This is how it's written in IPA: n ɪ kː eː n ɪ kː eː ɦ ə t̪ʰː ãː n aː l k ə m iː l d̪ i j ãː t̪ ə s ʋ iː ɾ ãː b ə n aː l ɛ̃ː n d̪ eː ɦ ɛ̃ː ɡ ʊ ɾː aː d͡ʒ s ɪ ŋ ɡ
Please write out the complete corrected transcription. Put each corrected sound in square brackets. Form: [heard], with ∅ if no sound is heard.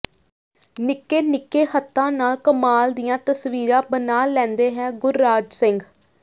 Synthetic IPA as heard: n ɪ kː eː n ɪ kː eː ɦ ə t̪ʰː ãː n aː l k ə m [aː] l d̪ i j ãː t̪ ə s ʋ iː ɾ ãː b ə n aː l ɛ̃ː n d̪ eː ɦ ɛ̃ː ɡ ʊ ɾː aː d͡ʒ s ɪ ŋ ɡ